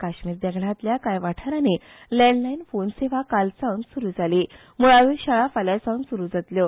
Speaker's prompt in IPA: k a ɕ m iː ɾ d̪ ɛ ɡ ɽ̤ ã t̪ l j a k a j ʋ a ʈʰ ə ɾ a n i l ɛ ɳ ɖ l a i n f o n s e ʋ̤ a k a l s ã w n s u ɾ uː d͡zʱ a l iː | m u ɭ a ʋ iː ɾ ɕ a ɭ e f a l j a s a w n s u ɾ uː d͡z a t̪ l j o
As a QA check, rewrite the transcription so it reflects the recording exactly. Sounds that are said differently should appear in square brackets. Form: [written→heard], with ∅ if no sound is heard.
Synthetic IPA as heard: k a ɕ m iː ɾ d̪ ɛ ɡ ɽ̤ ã t̪ l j a k a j ʋ a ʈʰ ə ɾ a n i l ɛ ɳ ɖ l a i n f o n s e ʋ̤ a k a l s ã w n s u ɾ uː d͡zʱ a l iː | m u ɭ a ʋ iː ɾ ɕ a ɭ [e→a] f a l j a s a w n s u ɾ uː d͡z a t̪ l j o